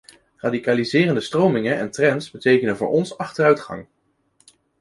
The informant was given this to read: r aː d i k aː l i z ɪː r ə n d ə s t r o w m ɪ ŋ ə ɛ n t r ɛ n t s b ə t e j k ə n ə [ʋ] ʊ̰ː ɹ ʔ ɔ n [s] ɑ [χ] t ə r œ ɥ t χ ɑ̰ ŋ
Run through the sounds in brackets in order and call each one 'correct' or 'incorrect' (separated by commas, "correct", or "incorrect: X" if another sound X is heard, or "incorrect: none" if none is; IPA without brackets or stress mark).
incorrect: v, correct, correct